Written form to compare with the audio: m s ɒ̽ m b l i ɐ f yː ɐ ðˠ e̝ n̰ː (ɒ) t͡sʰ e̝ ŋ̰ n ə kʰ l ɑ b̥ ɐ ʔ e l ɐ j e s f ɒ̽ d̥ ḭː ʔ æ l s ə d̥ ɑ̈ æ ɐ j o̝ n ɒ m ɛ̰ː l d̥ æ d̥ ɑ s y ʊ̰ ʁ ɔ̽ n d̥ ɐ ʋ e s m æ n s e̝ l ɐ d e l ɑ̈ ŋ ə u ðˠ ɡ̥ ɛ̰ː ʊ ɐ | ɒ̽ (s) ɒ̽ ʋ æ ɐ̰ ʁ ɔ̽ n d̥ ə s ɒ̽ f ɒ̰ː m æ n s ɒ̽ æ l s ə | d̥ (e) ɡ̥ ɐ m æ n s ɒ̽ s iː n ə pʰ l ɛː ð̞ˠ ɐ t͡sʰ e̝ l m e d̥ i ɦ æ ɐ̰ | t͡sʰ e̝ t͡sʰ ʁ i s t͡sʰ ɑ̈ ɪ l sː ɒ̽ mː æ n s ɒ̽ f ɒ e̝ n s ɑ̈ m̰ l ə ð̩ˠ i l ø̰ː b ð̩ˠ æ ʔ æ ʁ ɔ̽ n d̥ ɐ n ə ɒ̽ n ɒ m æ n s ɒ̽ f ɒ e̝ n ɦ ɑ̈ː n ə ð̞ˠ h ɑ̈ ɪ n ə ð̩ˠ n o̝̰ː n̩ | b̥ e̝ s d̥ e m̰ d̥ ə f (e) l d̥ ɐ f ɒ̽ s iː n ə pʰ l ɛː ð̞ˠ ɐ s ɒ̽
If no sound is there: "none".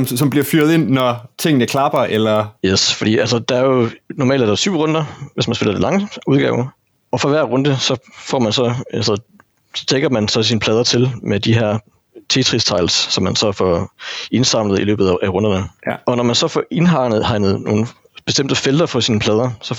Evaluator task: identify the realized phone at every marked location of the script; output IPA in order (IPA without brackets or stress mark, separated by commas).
ɒ, f, e, e